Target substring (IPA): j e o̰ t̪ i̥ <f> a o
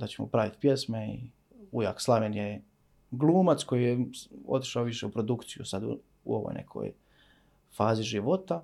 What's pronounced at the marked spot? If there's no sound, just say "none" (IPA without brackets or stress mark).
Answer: ʃ